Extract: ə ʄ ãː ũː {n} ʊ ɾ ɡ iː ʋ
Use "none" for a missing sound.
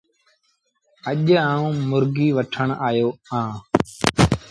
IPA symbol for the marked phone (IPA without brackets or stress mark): m